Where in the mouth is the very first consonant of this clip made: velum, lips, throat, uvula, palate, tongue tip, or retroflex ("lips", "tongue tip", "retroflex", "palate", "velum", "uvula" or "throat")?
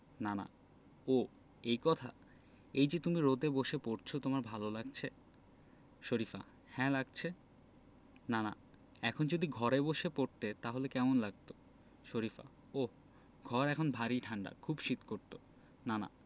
tongue tip